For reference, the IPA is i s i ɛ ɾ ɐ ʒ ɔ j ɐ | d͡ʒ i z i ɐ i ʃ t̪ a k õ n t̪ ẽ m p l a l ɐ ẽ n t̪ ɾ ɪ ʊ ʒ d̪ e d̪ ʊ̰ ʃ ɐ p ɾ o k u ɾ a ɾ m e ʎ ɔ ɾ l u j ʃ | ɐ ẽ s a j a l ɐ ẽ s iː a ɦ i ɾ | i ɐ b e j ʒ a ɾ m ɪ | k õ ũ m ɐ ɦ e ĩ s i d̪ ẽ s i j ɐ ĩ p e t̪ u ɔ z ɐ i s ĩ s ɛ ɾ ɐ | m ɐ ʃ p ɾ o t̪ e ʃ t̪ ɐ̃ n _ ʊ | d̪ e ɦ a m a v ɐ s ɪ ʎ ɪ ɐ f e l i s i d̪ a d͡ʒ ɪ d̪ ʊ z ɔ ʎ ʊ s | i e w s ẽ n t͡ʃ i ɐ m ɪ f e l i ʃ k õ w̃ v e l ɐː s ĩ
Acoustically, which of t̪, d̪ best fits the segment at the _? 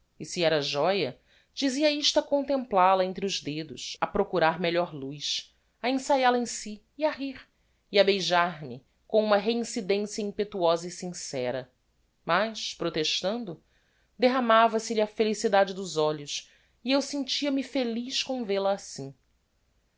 d̪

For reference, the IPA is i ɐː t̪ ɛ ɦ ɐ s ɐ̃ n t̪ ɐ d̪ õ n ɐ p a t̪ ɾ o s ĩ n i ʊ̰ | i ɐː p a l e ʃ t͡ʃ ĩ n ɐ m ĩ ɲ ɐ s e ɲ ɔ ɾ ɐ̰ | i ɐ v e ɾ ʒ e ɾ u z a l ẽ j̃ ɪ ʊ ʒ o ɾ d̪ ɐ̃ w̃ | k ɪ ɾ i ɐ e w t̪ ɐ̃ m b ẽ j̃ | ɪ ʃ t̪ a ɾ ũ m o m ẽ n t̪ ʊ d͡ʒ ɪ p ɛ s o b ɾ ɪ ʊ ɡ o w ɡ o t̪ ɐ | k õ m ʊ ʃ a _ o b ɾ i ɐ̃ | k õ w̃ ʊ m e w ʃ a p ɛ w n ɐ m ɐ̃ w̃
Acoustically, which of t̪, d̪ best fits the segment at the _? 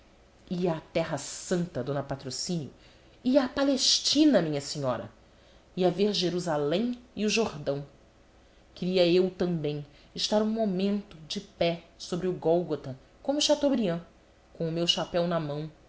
t̪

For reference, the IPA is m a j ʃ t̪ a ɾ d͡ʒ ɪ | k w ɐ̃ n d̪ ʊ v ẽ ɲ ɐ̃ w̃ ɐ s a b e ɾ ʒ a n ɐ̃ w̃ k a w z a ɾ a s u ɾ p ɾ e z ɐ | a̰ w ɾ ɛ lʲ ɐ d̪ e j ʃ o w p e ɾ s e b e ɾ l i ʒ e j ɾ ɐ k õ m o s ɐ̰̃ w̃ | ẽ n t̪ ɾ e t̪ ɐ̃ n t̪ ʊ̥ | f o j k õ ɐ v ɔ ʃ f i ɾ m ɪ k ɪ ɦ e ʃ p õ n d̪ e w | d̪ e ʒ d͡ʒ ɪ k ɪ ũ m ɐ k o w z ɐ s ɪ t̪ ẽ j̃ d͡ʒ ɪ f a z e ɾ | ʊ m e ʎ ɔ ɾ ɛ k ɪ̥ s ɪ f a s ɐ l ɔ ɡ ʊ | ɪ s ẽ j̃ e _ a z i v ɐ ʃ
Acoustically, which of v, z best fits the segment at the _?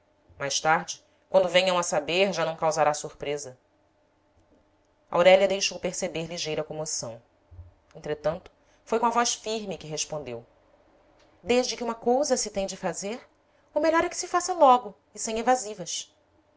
v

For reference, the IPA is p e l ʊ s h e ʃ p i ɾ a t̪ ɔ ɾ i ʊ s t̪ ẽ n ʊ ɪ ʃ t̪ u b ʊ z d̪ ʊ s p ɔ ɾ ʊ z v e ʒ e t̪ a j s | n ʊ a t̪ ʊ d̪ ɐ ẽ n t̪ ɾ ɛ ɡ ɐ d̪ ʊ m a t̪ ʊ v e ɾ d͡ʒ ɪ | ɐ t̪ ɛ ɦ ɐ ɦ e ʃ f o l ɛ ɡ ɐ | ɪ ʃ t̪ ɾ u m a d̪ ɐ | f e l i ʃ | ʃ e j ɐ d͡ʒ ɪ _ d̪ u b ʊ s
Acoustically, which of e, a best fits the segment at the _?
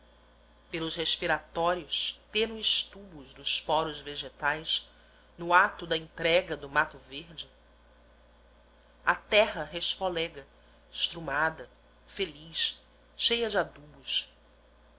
a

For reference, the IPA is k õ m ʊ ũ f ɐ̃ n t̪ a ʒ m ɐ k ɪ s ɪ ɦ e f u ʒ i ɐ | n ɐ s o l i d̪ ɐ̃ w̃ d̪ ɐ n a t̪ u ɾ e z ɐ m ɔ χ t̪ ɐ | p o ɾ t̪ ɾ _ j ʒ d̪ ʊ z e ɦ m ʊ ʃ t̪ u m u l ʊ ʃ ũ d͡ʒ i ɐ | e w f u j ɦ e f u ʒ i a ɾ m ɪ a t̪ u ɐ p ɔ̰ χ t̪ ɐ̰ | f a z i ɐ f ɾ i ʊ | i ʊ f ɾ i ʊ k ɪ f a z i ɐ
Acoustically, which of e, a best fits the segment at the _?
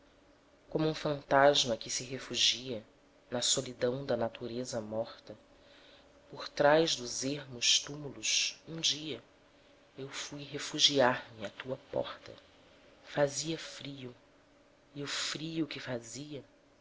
a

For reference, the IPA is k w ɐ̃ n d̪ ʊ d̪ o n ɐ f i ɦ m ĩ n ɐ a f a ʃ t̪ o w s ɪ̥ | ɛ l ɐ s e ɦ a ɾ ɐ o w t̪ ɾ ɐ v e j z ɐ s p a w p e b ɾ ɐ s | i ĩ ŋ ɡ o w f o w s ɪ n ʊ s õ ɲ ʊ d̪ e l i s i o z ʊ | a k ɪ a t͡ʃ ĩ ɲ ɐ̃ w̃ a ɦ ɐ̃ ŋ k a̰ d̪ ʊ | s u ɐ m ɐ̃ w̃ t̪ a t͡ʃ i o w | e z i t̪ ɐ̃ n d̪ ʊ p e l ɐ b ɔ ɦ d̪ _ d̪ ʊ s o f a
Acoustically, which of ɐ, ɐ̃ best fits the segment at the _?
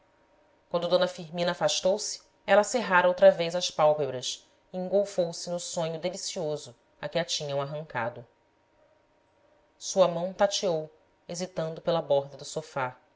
ɐ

